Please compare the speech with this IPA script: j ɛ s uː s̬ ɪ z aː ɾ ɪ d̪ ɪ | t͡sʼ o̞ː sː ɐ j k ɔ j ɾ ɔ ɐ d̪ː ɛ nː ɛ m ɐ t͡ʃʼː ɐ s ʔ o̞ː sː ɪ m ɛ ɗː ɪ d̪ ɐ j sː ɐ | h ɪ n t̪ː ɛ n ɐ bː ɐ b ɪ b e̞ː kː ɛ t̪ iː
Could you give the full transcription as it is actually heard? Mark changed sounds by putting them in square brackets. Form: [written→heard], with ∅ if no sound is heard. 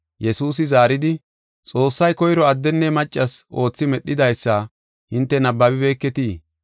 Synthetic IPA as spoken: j ɛ s uː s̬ ɪ z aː ɾ ɪ d̪ ɪ | t͡sʼ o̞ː sː ɐ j k ɔ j ɾ ɔ ɐ d̪ː ɛ nː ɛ m ɐ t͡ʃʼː ɐ s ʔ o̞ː [sː→t͡sː] ɪ m ɛ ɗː ɪ d̪ ɐ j sː ɐ | h ɪ n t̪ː ɛ n ɐ bː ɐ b ɪ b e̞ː kː ɛ t̪ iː

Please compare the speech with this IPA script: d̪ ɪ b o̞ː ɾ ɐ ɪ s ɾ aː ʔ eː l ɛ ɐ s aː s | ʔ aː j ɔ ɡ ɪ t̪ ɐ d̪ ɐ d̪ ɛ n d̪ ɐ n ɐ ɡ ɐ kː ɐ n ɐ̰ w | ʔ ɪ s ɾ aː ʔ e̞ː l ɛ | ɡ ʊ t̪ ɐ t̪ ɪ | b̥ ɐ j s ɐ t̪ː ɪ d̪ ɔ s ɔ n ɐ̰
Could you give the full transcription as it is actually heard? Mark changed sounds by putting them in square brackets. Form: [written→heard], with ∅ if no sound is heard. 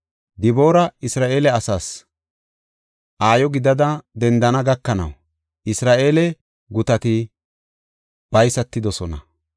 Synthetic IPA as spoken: d̪ ɪ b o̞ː ɾ ɐ ɪ s ɾ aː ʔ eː l ɛ ɐ s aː s | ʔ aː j ɔ ɡ ɪ [t̪→d̪] ɐ d̪ ɐ d̪ ɛ n d̪ ɐ n ɐ ɡ ɐ kː ɐ n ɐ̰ w | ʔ ɪ s ɾ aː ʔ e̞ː l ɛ | ɡ ʊ t̪ ɐ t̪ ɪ | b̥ ɐ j s ɐ t̪ː ɪ d̪ ɔ s ɔ n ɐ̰

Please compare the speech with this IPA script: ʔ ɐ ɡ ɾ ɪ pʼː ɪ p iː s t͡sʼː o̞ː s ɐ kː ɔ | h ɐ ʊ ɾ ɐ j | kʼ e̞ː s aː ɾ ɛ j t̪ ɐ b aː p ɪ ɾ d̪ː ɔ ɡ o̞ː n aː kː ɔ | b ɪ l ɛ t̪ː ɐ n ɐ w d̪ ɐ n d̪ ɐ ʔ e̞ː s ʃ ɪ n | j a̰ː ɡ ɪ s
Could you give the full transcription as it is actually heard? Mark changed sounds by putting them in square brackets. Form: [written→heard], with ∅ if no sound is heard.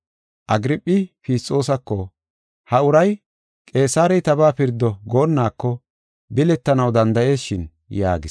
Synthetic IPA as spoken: ʔ ɐ ɡ ɾ ɪ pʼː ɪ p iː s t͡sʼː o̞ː s ɐ kː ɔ | h ɐ ʊ ɾ ɐ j | kʼ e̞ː s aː ɾ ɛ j t̪ ɐ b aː p ɪ ɾ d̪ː ɔ ɡ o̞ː [n→nː] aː kː ɔ | b ɪ l ɛ t̪ː ɐ n ɐ w d̪ ɐ n d̪ ɐ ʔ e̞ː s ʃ ɪ n | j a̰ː ɡ ɪ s

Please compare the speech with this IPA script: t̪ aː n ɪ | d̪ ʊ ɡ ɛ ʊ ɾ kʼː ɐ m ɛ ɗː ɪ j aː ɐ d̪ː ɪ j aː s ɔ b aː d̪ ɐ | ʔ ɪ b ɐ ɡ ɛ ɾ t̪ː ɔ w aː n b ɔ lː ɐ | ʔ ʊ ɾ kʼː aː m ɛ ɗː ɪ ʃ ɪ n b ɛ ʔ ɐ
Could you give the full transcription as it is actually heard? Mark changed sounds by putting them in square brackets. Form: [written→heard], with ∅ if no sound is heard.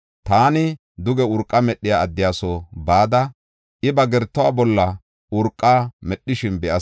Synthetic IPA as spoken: t̪ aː n ɪ | d̪ ʊ ɡ ɛ ʊ ɾ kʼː ɐ m ɛ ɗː ɪ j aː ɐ d̪ː ɪ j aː s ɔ b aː d̪ ɐ | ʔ ɪ b ɐ ɡ ɛ ɾ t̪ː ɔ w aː [n→∅] b ɔ lː ɐ | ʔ ʊ ɾ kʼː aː m ɛ ɗː ɪ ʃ ɪ n b ɛ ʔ ɐ

